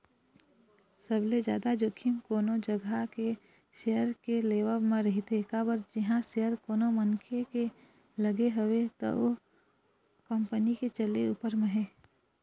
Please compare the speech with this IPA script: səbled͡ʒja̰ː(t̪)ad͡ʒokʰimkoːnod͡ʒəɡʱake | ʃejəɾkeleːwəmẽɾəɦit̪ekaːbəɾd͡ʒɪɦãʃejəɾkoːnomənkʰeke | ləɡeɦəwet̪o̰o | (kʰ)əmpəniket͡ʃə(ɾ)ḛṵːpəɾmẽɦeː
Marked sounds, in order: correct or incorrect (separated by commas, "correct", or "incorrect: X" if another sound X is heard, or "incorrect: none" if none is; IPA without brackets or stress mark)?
incorrect: d̪, incorrect: k, incorrect: l